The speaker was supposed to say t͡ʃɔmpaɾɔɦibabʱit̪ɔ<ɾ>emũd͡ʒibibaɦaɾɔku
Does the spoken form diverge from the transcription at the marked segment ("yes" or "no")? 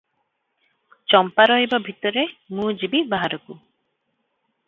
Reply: no